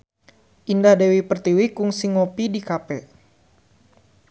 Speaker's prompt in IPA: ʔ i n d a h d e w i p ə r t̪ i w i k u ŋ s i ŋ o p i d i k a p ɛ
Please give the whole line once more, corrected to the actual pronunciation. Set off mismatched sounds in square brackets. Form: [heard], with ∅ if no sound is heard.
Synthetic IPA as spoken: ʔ i n d a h d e w i p ə r t̪ i w i k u ŋ s i ŋ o p i d i k a p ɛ